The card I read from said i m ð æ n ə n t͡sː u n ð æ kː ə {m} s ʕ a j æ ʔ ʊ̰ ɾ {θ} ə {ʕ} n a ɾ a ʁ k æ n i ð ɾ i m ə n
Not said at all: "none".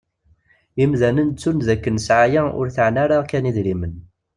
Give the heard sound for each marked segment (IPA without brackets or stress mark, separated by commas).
n, θ, ʕ